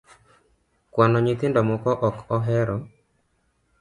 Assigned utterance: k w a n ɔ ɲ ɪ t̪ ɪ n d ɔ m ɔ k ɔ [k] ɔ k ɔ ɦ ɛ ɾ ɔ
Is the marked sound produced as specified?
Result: no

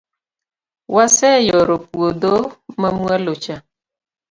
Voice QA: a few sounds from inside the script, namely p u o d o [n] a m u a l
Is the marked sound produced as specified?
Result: no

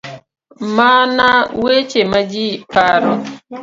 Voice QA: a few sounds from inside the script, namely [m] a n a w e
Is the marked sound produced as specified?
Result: yes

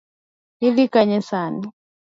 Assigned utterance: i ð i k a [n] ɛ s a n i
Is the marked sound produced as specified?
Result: no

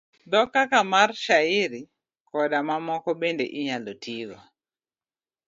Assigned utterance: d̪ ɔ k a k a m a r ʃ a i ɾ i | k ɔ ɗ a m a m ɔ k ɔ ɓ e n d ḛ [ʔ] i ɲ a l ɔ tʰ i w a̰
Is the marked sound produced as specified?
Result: yes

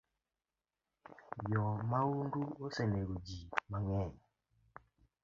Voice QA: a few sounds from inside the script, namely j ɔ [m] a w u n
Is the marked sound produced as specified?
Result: yes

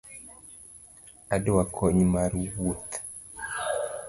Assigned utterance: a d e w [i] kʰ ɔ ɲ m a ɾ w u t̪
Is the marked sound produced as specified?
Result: no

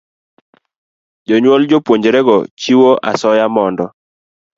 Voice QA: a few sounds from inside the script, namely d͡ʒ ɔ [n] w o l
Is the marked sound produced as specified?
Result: no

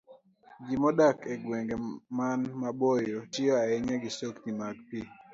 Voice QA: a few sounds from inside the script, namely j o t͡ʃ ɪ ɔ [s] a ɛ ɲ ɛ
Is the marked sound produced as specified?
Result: no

